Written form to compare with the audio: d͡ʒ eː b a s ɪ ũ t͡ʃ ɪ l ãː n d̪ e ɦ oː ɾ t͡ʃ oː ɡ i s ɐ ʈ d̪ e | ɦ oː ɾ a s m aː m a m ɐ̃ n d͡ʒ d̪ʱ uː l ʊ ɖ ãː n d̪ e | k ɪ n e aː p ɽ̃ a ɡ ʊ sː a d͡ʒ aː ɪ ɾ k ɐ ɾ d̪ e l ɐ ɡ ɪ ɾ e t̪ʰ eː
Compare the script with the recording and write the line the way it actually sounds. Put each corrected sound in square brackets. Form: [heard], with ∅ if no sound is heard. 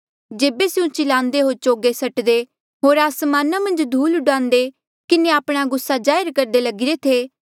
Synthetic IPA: d͡ʒ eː b [e] s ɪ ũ t͡ʃ ɪ l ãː n d̪ e ɦ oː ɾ t͡ʃ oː ɡ [e] s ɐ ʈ d̪ e | ɦ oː ɾ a s m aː [n] a m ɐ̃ n d͡ʒ d̪ʱ uː l ʊ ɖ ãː n d̪ e | k ɪ n e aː p ɽ̃ a ɡ ʊ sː a d͡ʒ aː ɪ ɾ k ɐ ɾ d̪ e l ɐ ɡ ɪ ɾ e t̪ʰ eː